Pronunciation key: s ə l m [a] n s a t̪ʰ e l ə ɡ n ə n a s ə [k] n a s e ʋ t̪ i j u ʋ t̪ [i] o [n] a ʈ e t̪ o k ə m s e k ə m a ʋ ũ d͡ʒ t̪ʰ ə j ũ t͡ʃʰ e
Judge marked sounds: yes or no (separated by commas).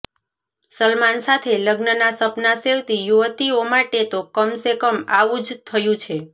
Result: yes, no, yes, no